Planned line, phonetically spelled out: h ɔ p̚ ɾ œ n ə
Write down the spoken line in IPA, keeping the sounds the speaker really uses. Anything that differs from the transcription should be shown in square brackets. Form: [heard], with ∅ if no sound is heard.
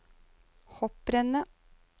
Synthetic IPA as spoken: h ɔ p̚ ɾ [ɛ] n ə